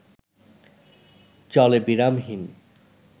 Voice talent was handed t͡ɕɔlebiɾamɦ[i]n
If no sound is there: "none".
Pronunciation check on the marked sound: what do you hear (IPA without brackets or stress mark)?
i